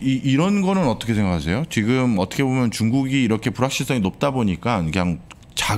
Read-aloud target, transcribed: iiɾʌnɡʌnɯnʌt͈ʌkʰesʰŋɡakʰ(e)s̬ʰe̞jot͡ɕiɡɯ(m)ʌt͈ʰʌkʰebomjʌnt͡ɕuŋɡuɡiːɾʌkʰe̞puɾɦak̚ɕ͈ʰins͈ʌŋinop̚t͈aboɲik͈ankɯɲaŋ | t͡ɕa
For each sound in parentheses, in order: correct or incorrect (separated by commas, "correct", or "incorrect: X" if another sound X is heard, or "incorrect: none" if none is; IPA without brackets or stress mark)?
incorrect: a, correct